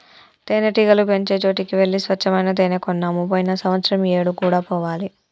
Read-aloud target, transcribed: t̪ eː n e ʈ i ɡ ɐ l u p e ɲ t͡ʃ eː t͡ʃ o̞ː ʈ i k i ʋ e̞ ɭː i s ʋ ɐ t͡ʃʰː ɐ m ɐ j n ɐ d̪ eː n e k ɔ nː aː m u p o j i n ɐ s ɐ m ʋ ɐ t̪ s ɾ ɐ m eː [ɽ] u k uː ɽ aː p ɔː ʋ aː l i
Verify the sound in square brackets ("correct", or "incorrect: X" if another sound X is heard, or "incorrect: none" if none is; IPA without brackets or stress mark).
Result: correct